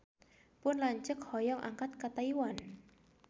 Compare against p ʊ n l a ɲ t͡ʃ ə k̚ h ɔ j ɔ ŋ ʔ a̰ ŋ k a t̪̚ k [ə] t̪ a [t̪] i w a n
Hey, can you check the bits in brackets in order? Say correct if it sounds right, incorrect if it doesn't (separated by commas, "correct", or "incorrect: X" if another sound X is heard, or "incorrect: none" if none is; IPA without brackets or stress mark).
incorrect: a, incorrect: none